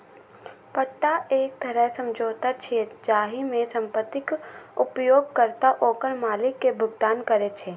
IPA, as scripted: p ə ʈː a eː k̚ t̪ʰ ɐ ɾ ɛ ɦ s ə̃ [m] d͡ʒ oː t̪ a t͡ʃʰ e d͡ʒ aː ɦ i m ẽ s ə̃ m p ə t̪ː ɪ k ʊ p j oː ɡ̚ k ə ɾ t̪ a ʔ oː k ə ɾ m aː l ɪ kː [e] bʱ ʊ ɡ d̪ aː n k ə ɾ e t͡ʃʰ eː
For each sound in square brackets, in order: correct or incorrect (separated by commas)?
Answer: correct, correct